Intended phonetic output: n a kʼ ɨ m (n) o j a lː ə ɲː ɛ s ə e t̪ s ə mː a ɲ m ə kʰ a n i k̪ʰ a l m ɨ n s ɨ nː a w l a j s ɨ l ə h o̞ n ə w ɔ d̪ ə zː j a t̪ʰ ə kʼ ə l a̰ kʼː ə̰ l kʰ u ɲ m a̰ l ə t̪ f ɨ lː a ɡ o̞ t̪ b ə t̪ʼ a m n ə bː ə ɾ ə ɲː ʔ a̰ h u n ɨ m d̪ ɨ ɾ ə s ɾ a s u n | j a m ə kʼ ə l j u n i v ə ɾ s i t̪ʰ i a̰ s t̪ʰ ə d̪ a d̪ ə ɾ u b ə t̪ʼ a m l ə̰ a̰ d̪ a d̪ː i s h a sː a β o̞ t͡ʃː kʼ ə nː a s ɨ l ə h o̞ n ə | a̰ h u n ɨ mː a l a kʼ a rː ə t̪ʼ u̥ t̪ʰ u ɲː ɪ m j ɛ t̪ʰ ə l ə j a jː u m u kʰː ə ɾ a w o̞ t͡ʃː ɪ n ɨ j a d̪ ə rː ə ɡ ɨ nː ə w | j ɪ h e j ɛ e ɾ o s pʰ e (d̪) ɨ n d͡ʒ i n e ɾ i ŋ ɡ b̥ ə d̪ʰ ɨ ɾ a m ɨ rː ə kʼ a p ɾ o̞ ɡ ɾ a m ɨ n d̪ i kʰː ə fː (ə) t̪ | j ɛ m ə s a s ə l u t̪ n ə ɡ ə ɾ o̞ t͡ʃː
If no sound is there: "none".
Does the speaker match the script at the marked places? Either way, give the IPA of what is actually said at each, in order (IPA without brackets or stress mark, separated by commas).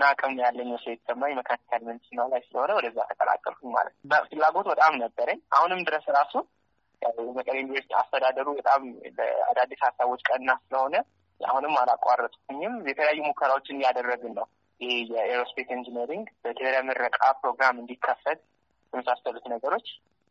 n, t̪, ə